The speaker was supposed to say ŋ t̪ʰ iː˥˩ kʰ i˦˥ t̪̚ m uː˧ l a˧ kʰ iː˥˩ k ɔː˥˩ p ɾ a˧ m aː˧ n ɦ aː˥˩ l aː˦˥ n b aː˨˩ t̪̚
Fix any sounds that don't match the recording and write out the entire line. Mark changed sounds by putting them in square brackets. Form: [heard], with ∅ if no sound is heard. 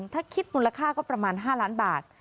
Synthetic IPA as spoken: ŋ t̪ʰ [aː˥˩] kʰ i˦˥ t̪̚ m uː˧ l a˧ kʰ [aː˥˩] k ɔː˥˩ p ɾ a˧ m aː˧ n ɦ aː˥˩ l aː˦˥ n b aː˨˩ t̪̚